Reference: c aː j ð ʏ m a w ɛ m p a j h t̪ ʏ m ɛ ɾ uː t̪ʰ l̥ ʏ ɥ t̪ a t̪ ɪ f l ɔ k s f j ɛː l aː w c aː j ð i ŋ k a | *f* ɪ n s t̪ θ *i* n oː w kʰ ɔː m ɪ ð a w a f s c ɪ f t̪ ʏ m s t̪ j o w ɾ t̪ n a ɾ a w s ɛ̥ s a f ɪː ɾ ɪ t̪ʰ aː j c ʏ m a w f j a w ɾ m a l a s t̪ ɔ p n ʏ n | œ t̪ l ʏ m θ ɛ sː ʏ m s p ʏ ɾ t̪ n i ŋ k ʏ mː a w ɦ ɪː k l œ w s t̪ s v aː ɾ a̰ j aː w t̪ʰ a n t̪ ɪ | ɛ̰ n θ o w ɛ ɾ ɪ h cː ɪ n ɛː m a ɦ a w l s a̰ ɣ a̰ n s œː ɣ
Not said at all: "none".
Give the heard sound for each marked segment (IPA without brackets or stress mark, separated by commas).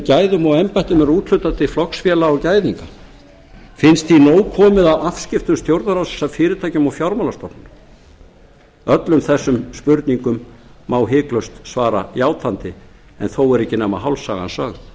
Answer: f, i